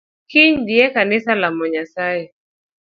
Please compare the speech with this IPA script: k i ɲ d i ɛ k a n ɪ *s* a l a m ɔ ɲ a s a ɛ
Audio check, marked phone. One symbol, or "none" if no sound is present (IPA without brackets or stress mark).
s